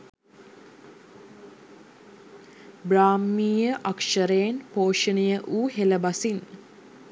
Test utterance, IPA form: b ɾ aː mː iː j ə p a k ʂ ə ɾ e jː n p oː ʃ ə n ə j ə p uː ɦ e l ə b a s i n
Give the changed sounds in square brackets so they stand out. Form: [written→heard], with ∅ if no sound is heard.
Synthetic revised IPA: b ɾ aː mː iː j ə [p→ʔ] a k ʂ ə ɾ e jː n p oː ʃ ə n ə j ə [p→ʔ] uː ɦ e l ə b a s i n